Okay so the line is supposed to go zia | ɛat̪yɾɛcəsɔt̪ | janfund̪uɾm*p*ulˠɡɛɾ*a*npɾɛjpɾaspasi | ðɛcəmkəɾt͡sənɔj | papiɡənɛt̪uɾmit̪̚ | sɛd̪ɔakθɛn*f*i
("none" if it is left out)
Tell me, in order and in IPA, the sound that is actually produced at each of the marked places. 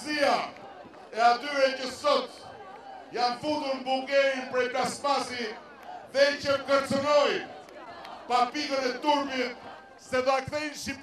b, i, ʃ

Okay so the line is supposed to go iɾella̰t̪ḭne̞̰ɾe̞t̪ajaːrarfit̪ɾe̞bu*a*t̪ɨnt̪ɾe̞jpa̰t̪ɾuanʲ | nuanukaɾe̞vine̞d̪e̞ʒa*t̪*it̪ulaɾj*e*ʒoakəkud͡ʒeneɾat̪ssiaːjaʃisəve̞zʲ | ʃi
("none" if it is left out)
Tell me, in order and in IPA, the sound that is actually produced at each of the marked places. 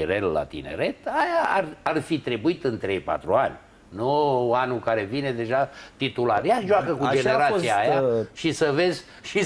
i, t̪, a

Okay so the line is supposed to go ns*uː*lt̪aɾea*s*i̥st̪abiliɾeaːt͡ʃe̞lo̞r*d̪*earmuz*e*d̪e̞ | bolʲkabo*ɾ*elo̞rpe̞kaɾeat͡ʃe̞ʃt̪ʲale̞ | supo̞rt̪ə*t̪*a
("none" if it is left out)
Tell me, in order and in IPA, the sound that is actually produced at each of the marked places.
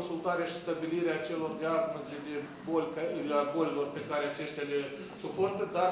u, ʃ, d̪, e, l, d̪

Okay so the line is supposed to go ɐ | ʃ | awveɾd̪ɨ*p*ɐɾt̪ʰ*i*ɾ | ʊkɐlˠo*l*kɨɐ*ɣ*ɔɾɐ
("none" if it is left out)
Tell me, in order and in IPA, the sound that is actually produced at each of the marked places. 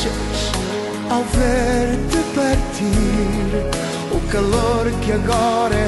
p, i, ɾ, ɣ

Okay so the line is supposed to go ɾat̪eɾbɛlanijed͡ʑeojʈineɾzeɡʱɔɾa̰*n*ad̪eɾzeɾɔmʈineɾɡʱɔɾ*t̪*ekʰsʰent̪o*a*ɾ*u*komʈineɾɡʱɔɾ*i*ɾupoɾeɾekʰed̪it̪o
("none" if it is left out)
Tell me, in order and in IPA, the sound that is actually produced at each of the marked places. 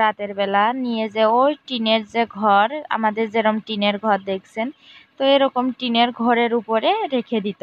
m, d̪, e, ɔ, e

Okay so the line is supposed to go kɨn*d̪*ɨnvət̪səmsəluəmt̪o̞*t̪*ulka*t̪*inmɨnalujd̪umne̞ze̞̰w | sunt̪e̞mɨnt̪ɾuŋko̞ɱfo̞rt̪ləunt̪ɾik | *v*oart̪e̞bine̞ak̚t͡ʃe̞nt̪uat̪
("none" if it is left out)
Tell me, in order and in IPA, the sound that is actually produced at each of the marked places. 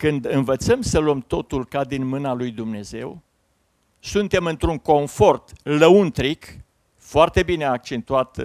d̪, t̪, d̪, f

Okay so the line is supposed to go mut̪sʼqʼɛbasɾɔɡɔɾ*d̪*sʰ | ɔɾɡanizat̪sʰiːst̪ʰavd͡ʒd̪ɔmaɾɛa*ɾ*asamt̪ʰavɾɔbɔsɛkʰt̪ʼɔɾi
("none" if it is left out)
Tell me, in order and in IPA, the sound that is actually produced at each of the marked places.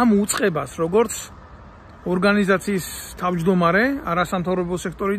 t̪, ɾ

